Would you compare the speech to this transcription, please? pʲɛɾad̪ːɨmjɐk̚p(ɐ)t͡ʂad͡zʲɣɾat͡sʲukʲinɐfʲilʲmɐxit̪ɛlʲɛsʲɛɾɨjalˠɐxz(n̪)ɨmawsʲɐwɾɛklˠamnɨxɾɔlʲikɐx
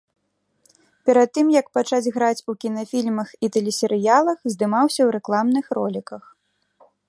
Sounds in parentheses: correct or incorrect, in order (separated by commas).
incorrect, incorrect